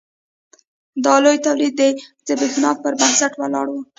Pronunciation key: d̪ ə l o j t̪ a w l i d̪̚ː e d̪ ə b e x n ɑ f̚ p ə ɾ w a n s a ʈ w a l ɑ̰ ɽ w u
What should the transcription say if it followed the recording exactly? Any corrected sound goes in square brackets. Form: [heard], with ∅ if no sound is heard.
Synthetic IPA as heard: d̪ [ɑ] l o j t̪ a w l i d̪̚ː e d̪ ə b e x n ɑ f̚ p ə ɾ [b] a n s a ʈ w a l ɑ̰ ɽ w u